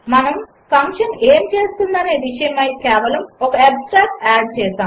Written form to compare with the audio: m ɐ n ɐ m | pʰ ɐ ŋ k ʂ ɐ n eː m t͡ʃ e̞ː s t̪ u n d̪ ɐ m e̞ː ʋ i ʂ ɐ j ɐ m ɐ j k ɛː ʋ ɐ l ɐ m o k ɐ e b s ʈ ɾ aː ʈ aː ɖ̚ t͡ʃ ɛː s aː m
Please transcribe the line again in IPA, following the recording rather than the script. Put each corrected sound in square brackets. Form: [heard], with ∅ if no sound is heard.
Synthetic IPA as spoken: m ɐ n ɐ m | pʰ ɐ ŋ k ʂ ɐ n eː m t͡ʃ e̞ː s t̪ u n d̪ ɐ [n] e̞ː ʋ i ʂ ɐ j ɐ m ɐ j k ɛː ʋ ɐ l ɐ m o k ɐ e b s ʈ ɾ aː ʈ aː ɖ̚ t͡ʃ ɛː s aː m